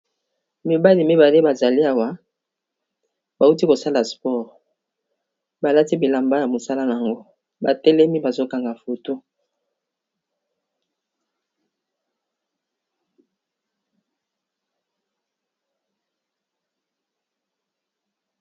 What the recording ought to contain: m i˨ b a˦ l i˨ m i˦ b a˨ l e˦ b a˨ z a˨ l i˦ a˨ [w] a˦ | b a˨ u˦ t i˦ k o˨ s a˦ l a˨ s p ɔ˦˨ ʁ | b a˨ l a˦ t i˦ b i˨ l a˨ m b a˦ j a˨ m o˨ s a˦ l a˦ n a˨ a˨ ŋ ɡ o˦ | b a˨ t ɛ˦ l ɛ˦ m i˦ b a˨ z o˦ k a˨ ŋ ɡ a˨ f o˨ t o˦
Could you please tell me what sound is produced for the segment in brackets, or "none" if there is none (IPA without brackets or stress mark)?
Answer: w